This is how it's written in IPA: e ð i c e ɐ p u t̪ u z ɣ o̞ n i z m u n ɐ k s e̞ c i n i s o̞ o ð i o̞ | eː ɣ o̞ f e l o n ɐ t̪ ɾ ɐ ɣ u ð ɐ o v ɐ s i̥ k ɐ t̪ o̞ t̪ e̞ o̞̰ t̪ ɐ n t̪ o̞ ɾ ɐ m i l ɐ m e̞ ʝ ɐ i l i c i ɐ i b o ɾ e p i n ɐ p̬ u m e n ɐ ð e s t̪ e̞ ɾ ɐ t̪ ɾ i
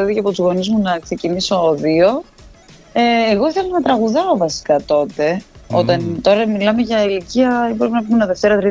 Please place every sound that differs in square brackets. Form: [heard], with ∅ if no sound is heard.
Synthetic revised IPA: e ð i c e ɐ p [o] t̪ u z ɣ o̞ n i z m u n ɐ k s e̞ c i n i s o̞ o ð i o̞ | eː ɣ o̞ [θ] e l o n ɐ t̪ ɾ ɐ ɣ u ð ɐ o v ɐ s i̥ k ɐ t̪ o̞ t̪ e̞ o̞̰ t̪ ɐ n t̪ o̞ ɾ ɐ m i l ɐ m e̞ ʝ ɐ i l i c i ɐ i b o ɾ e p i n ɐ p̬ u m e n ɐ ð e [f] t̪ e̞ ɾ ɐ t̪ ɾ i